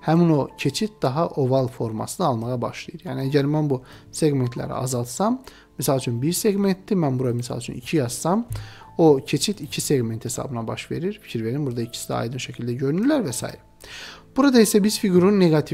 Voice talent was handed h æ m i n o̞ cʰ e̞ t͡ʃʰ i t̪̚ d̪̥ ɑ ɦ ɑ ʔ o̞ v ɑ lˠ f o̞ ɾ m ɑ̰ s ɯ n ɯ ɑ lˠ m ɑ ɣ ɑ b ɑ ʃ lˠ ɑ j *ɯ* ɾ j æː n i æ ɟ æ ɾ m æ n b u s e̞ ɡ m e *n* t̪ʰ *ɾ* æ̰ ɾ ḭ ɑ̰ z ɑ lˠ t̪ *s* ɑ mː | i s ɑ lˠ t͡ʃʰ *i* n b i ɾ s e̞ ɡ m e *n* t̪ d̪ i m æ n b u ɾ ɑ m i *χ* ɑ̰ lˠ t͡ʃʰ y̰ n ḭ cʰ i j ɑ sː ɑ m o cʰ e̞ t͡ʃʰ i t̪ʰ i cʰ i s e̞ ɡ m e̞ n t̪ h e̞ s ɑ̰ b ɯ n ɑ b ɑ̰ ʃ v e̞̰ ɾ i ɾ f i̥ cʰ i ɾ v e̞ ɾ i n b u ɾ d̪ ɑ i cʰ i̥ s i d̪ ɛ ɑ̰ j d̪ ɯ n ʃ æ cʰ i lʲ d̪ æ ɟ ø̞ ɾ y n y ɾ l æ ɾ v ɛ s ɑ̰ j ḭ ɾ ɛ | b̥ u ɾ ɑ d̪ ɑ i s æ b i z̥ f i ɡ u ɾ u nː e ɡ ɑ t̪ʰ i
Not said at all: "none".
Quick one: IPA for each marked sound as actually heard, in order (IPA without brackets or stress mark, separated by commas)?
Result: ɯ, n, l, s, y, n, s